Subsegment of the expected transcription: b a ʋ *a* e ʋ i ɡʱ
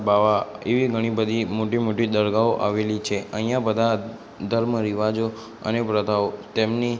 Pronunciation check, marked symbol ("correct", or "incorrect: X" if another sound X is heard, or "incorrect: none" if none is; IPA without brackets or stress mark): correct